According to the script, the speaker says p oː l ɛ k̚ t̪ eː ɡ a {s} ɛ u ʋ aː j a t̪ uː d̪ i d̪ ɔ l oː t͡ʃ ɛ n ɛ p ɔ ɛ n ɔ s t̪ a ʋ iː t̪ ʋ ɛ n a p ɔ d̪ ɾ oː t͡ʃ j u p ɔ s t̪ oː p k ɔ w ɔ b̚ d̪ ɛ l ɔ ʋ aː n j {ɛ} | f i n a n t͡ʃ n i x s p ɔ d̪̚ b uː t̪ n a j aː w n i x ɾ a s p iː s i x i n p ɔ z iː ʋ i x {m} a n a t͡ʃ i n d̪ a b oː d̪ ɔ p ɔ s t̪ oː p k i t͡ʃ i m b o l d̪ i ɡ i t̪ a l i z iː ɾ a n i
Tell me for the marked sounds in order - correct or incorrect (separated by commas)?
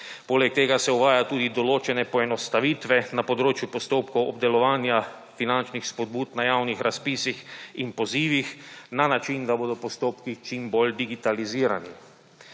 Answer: correct, incorrect, incorrect